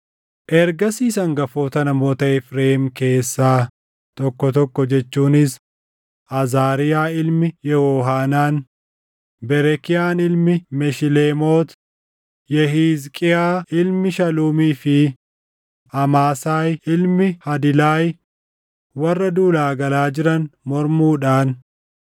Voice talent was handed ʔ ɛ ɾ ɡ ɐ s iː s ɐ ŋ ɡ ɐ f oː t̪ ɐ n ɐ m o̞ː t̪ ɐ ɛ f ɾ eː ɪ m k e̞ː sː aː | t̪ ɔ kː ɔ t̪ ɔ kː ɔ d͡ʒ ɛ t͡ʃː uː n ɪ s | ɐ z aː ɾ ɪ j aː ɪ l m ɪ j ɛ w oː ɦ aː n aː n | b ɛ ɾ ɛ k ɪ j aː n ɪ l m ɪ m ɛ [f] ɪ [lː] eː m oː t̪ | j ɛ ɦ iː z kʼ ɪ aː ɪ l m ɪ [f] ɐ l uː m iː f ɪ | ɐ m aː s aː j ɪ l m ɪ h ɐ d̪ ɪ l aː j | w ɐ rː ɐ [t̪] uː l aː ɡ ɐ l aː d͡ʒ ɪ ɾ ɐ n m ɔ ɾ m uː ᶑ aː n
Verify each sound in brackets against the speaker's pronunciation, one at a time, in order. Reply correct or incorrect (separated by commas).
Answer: incorrect, incorrect, incorrect, incorrect